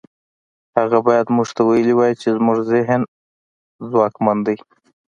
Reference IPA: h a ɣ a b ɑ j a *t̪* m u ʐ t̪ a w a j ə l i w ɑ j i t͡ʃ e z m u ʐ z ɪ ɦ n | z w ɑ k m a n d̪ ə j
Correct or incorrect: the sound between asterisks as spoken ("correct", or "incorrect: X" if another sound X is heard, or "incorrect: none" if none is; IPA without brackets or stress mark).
incorrect: d̪